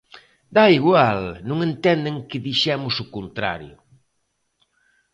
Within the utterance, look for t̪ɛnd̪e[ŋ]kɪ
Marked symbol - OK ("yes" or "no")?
yes